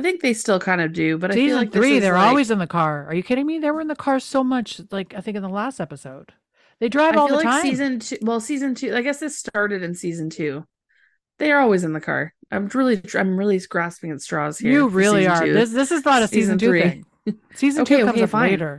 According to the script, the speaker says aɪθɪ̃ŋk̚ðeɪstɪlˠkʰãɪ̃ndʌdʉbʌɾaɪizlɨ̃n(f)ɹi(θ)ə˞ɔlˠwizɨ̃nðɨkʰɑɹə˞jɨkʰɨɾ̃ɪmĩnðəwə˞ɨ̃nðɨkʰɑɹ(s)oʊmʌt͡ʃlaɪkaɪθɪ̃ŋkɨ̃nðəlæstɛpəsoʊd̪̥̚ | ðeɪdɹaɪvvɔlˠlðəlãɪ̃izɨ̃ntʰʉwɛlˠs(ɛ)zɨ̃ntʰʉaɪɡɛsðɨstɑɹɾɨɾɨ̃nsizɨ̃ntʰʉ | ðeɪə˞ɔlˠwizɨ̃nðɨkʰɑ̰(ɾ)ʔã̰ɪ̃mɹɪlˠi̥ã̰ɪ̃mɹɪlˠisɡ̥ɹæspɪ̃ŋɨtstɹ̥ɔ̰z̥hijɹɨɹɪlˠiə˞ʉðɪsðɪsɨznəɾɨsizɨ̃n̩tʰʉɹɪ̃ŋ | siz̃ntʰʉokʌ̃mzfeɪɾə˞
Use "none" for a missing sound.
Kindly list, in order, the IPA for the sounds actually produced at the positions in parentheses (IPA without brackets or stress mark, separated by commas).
θ, ð, s, i, ɹ